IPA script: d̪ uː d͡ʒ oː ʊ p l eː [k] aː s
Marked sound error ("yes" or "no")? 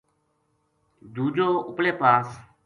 yes